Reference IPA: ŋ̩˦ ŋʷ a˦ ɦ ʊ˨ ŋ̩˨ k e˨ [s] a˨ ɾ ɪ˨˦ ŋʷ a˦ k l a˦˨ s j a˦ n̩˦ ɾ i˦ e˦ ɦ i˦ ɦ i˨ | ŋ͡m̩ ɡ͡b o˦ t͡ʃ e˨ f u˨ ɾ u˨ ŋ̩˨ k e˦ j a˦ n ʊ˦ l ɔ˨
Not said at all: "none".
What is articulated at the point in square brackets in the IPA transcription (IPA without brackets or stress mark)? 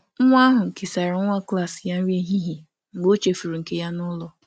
s